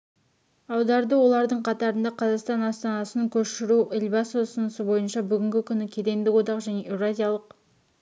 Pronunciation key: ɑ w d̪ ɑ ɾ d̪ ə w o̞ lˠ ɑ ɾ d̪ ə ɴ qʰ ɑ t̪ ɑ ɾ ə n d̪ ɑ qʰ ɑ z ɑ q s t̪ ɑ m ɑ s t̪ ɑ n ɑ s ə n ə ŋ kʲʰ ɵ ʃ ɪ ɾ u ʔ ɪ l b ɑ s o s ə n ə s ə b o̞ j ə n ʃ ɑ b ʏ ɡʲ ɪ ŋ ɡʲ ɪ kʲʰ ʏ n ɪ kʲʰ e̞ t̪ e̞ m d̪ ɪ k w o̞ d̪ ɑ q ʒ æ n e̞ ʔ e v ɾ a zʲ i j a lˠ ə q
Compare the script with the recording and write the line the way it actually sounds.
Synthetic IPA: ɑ w d̪ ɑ ɾ d̪ ə w o̞ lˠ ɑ ɾ d̪ ə ɴ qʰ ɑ t̪ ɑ ɾ ə n d̪ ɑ qʰ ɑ z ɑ q s t̪ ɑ n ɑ s t̪ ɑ n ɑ s ə n ə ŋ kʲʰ ɵ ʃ ɪ ɾ u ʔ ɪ l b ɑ s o s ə n ə s ə b o̞ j ə n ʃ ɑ b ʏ ɡʲ ɪ ŋ ɡʲ ɪ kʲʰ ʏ n ɪ kʲʰ e̞ d̪ e̞ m d̪ ɪ k w o̞ d̪ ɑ q ʒ æ n e̞ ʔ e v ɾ a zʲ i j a lˠ ə q